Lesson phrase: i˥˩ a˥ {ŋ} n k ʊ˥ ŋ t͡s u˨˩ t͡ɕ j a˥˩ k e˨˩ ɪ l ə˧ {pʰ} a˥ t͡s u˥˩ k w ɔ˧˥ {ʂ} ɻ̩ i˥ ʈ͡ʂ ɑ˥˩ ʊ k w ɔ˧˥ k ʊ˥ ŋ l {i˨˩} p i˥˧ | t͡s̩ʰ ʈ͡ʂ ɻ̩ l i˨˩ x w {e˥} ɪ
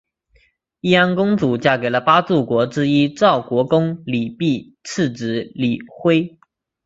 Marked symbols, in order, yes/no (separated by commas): no, no, no, yes, yes